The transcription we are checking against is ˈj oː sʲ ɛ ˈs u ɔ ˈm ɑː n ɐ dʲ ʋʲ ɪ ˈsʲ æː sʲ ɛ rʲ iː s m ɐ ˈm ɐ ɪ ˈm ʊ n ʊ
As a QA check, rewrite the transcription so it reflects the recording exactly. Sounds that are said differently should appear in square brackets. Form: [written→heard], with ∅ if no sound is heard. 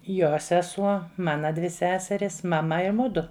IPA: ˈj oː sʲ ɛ ˈs u ɔ ˈm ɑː n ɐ dʲ ʋʲ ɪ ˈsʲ æː sʲ ɛ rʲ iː s m ɐ ˈm ɐ ɪ ˈm ʊ [n→d] ʊ